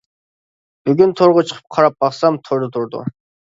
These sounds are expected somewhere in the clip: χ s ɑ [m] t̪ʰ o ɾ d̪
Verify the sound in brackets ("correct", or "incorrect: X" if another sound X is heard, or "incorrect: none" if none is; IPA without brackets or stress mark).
correct